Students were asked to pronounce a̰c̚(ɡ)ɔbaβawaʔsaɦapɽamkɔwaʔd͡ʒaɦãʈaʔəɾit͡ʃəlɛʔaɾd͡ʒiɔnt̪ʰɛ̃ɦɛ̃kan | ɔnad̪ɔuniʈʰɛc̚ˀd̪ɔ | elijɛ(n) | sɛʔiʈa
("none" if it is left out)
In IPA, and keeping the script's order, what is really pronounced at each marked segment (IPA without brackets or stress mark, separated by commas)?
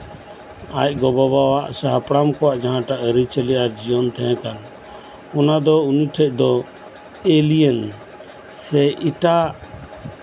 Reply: ɡ, n